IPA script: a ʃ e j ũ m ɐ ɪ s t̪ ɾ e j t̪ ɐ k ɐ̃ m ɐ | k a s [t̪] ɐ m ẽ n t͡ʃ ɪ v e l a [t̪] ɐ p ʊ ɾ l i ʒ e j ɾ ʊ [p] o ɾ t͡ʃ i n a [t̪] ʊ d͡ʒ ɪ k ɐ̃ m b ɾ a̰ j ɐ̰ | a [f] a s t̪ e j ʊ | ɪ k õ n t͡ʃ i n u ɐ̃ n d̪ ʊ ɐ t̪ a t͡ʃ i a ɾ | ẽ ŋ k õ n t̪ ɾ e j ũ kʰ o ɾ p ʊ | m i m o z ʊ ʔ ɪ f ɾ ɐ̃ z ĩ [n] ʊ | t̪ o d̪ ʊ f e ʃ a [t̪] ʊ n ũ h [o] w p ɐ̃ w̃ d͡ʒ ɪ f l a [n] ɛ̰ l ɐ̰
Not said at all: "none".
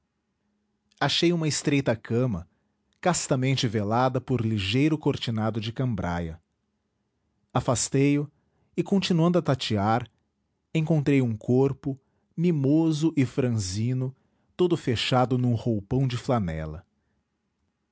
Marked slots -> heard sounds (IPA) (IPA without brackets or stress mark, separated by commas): t̪, d̪, k, d̪, f, n, d̪, o, n